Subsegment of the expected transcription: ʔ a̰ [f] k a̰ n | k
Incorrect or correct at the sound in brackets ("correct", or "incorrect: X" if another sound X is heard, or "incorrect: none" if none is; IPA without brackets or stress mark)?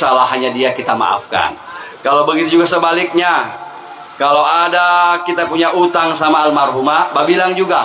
correct